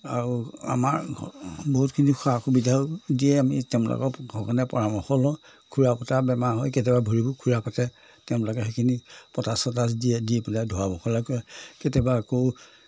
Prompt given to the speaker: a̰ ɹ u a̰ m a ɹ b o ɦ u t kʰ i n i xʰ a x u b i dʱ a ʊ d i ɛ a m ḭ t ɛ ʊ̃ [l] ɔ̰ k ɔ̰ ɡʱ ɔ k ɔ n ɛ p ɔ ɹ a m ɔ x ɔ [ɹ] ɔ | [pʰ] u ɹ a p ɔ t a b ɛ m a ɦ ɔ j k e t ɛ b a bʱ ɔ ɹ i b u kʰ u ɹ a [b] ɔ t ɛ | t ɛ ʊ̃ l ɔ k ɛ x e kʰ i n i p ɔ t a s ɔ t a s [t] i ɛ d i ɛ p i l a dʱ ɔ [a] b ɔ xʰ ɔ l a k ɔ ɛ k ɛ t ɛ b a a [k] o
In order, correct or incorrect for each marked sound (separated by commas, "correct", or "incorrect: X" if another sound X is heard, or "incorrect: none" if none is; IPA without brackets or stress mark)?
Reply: correct, incorrect: l, incorrect: kʰ, incorrect: p, incorrect: d, correct, correct